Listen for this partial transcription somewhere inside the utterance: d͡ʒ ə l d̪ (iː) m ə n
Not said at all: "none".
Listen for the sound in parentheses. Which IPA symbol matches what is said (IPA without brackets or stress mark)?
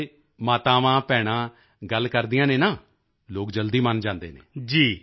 iː